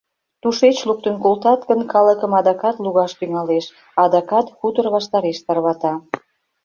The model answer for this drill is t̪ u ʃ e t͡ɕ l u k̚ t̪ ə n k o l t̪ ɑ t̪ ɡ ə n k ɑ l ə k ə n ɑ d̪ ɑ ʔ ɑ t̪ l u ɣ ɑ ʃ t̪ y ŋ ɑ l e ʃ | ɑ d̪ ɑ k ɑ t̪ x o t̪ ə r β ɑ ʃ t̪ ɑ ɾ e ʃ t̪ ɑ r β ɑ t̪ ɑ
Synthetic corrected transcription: t̪ u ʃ e t͡ɕ l u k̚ t̪ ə n k o l t̪ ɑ t̪ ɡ ə n k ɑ l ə k ə m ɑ d̪ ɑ k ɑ t̪ l u ɣ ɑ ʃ t̪ y ŋ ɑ l e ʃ | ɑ d̪ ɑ k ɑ t̪ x u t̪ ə r β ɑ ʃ t̪ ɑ ɾ e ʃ t̪ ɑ r β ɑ t̪ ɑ